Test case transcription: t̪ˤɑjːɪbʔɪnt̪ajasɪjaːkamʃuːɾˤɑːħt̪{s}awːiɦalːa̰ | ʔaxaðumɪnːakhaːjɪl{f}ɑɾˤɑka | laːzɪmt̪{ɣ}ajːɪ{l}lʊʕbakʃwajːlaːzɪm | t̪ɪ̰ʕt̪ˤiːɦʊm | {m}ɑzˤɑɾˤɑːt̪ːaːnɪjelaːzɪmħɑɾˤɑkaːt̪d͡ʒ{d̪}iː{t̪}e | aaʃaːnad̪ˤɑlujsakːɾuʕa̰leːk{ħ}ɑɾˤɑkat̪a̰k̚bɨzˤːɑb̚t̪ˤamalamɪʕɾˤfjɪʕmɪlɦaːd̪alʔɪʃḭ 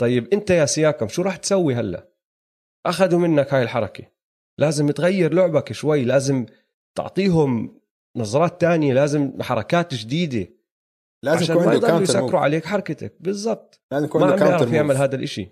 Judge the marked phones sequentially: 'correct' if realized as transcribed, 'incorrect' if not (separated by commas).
correct, incorrect, correct, incorrect, incorrect, correct, incorrect, correct